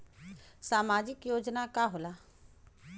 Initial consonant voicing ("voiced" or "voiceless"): voiceless